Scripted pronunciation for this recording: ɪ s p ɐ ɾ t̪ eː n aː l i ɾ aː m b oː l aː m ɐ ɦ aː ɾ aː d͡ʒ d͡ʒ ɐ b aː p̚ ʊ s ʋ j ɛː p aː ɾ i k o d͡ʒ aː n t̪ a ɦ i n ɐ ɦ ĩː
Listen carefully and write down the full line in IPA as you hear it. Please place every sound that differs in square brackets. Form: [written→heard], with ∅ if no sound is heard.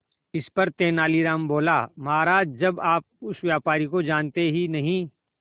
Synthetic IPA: ɪ s p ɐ ɾ t̪ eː n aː l i ɾ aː m b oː l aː m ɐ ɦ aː ɾ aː d͡ʒ d͡ʒ ɐ b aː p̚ ʊ s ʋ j [ɛː→aː] p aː ɾ i k o d͡ʒ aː n t̪ [a→e] ɦ i n ɐ ɦ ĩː